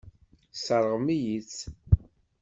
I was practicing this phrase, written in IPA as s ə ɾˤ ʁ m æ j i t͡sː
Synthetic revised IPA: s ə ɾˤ ʁ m i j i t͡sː